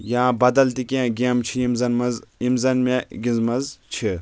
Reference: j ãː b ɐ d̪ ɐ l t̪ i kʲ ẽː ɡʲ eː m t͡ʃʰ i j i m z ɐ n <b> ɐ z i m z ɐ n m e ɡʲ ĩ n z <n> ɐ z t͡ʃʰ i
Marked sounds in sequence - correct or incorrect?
incorrect, incorrect

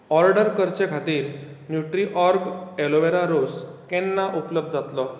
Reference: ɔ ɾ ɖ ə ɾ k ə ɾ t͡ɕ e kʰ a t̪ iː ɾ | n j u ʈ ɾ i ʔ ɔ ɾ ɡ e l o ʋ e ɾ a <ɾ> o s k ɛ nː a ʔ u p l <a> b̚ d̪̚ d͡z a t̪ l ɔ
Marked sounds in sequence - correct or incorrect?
correct, incorrect

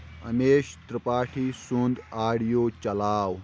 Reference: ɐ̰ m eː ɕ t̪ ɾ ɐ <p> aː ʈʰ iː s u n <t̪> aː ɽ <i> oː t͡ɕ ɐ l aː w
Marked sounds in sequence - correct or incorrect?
correct, incorrect, incorrect

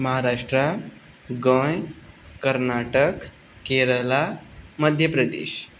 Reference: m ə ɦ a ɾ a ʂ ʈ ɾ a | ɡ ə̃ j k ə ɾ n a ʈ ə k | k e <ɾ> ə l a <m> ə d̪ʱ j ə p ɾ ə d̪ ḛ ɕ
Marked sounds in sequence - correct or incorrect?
correct, correct

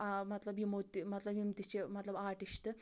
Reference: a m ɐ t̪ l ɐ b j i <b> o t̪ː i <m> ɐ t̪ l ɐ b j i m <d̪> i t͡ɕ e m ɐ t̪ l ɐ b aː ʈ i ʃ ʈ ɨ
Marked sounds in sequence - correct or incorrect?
incorrect, correct, incorrect

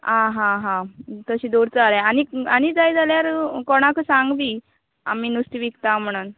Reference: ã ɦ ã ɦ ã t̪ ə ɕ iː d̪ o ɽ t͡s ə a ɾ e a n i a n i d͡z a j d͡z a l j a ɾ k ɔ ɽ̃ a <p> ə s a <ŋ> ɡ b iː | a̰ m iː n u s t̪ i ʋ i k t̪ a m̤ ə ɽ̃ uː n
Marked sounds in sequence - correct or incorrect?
incorrect, correct

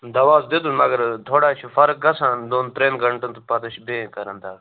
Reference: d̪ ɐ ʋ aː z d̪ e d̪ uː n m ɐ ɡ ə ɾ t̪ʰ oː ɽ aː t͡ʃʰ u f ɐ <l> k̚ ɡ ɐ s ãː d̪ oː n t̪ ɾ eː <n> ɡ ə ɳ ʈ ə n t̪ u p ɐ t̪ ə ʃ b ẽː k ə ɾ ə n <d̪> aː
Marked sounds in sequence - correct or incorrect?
incorrect, correct, correct

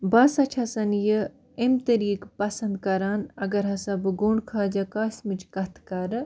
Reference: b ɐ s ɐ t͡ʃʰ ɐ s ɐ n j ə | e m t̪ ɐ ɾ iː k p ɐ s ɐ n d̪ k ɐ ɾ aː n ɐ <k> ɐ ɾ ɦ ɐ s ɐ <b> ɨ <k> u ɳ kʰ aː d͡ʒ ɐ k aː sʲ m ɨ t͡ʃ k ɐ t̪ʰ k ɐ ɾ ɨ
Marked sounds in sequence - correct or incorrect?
incorrect, correct, incorrect

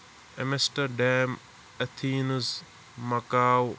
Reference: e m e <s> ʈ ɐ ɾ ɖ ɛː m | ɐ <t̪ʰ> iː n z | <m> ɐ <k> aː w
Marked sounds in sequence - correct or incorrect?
correct, correct, correct, correct

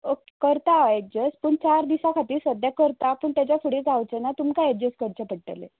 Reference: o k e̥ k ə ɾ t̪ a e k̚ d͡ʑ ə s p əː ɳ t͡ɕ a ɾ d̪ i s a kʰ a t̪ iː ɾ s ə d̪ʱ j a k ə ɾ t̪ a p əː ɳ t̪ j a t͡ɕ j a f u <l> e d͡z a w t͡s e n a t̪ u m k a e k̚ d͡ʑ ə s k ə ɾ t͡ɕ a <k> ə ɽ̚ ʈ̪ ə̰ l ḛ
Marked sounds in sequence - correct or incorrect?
incorrect, incorrect

